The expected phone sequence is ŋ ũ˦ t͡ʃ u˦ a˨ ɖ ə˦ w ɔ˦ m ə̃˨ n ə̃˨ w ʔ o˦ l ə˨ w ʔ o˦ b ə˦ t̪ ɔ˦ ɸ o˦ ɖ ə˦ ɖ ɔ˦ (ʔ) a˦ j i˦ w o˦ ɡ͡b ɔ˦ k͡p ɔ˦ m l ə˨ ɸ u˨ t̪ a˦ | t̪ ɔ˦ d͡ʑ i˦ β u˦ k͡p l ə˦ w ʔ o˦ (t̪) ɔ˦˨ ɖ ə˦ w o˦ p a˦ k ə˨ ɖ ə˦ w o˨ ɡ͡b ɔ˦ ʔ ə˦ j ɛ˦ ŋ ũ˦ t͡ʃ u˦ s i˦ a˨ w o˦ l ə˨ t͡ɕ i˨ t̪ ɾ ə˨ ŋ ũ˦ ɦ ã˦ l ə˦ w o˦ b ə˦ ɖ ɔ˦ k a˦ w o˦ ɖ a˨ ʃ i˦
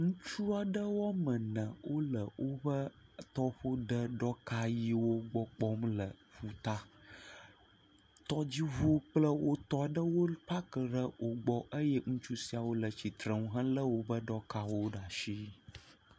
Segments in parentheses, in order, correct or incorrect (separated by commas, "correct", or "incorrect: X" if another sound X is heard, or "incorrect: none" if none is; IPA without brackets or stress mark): incorrect: k, correct